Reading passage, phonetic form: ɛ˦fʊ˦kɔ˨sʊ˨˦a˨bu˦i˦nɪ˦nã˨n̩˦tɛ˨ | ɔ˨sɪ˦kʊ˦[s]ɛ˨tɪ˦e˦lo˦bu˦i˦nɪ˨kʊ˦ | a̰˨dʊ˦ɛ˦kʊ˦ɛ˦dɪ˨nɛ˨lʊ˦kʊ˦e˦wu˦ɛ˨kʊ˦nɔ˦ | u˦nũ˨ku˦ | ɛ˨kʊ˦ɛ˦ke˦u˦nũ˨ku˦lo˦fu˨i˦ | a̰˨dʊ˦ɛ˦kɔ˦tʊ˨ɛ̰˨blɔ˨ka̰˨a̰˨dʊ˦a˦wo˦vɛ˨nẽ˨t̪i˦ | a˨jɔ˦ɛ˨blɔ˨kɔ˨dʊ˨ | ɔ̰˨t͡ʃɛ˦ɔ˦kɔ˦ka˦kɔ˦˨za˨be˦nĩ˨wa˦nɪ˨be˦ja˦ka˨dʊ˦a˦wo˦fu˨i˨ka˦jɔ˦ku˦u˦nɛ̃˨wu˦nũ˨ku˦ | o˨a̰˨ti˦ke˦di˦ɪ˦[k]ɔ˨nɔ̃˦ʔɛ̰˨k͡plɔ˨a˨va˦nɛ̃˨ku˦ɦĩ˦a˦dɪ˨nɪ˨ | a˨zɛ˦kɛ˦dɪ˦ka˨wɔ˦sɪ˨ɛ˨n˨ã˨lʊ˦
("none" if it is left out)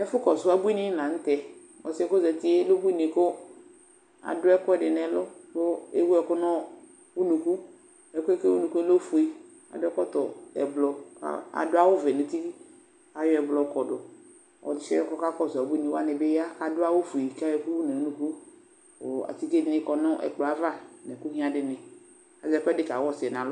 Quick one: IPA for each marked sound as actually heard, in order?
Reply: z, k

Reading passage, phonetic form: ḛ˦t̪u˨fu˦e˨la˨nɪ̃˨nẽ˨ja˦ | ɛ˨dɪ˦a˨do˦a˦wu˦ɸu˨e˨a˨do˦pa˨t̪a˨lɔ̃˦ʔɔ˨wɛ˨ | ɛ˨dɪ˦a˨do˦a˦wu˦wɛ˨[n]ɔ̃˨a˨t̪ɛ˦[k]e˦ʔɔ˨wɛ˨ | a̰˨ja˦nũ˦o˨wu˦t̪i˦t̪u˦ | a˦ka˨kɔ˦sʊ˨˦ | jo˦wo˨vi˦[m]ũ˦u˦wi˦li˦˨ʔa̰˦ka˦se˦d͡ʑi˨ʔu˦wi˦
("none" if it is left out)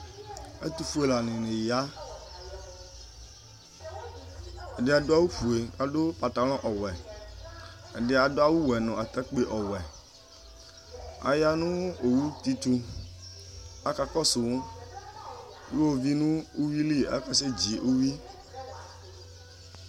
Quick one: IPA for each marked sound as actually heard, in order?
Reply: n, k͡p, n

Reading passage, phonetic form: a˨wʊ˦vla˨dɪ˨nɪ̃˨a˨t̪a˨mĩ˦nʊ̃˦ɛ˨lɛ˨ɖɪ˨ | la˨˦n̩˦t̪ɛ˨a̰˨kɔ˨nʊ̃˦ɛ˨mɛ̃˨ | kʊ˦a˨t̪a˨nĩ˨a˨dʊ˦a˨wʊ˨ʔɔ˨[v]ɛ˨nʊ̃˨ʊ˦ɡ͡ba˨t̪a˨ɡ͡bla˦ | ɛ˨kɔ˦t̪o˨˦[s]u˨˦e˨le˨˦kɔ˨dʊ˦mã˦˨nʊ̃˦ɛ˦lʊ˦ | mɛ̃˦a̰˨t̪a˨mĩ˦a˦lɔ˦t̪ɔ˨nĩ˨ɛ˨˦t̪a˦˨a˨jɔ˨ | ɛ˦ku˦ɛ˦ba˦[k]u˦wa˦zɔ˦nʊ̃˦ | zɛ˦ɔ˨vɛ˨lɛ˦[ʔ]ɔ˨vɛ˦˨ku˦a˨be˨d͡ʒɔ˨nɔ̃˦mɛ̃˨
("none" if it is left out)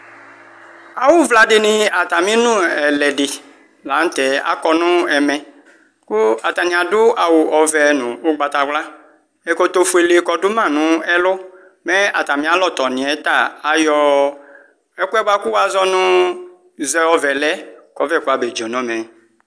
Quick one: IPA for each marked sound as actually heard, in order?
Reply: v, f, k, k

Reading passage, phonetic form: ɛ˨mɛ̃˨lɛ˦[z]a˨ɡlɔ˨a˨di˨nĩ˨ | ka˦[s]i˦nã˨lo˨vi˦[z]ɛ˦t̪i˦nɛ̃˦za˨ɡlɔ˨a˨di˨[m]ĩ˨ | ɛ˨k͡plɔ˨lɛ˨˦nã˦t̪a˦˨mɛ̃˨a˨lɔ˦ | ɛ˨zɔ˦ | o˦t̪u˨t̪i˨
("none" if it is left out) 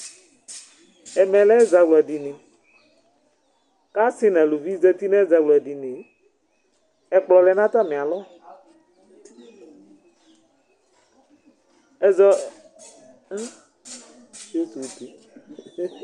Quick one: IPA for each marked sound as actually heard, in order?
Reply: z, s, z, n

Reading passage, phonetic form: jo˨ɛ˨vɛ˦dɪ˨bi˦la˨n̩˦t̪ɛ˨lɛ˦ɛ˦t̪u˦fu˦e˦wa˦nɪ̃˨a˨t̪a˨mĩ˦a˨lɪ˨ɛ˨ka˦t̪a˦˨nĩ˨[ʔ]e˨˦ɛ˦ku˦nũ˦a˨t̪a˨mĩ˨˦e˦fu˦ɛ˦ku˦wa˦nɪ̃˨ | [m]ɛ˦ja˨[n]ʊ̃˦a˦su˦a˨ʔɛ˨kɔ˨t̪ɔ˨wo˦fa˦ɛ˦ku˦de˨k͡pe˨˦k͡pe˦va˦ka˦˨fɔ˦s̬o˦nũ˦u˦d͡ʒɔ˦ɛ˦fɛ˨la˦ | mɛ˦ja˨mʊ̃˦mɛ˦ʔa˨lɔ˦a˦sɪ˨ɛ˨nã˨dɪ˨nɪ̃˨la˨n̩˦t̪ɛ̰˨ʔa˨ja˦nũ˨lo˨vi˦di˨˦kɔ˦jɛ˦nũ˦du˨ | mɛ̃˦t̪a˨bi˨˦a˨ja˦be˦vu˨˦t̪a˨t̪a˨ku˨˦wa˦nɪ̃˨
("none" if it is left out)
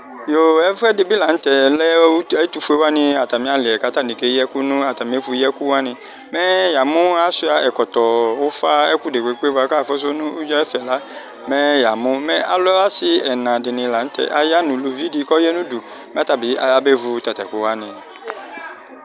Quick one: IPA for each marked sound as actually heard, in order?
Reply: k, m, m

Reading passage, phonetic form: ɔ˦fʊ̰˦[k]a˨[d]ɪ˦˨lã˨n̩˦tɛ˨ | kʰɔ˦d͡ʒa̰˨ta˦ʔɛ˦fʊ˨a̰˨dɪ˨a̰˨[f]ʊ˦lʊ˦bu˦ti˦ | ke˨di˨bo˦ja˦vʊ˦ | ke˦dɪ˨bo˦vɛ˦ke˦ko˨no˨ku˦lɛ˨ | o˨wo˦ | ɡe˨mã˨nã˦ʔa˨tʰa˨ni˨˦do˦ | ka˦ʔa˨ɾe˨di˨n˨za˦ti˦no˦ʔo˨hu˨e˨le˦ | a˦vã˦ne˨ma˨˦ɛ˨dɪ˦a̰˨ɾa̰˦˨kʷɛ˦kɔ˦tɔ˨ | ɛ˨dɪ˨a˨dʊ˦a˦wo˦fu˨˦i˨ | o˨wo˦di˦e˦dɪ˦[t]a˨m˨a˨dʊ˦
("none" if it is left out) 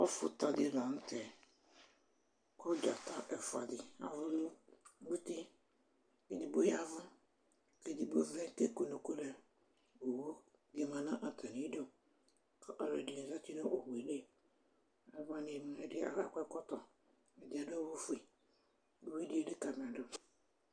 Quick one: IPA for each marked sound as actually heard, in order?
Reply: t, d, v, k

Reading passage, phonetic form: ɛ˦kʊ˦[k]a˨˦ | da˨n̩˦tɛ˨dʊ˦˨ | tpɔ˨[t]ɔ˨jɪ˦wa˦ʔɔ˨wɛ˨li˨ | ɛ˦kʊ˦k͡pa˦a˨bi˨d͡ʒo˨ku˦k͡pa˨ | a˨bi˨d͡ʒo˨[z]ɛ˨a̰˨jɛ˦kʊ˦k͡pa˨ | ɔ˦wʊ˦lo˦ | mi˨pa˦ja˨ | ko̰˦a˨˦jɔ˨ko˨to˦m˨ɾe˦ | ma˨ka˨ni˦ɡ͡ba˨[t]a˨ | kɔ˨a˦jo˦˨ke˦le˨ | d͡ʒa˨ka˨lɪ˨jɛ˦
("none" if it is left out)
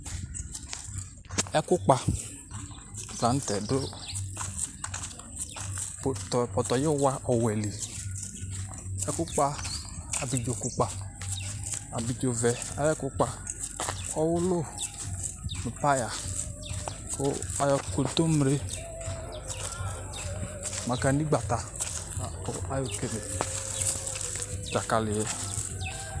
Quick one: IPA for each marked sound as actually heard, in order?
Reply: k͡p, t, v, t

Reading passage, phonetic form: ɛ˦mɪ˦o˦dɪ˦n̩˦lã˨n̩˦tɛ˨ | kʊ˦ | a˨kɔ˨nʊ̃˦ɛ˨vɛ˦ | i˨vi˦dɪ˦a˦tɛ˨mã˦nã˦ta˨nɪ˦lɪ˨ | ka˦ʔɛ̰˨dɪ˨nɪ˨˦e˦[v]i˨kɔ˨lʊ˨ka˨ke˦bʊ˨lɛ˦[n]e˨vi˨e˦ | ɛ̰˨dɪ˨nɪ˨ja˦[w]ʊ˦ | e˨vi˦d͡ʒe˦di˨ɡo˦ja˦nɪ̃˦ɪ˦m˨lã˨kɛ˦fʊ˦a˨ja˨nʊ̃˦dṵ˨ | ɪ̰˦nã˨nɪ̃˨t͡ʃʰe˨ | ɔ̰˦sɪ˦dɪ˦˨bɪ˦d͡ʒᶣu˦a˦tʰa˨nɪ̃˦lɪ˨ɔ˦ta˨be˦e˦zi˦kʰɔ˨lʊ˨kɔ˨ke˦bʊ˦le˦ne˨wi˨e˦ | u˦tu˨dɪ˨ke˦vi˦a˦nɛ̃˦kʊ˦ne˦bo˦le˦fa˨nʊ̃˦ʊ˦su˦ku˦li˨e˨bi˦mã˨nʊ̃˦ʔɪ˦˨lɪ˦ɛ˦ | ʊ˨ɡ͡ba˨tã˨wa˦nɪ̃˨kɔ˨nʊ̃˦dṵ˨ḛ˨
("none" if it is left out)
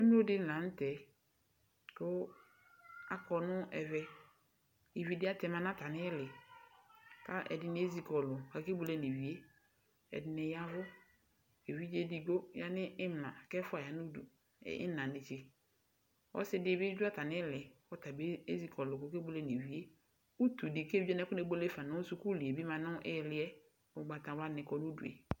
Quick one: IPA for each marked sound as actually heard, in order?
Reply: z, n, v

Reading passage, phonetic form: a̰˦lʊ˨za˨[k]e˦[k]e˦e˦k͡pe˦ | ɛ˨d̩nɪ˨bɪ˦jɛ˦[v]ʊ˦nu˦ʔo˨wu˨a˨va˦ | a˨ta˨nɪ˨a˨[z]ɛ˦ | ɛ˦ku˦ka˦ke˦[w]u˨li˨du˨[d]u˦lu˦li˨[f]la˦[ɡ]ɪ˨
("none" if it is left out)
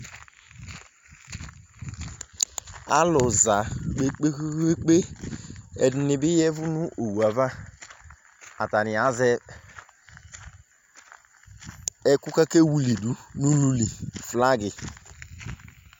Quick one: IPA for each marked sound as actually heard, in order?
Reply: k͡p, k͡p, v, z, w, n, f, ɡ

